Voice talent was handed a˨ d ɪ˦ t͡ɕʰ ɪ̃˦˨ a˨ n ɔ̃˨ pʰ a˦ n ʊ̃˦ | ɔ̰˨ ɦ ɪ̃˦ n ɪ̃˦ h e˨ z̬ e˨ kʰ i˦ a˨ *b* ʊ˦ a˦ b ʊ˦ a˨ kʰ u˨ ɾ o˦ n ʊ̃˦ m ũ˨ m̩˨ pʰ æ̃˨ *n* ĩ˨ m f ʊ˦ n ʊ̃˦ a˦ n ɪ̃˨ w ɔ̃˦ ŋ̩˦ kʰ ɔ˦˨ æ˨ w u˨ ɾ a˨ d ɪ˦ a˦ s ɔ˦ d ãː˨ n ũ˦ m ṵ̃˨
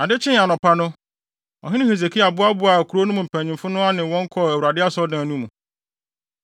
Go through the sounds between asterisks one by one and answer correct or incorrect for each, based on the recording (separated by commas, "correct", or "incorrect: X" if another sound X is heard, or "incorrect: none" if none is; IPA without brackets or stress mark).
correct, incorrect: ɲ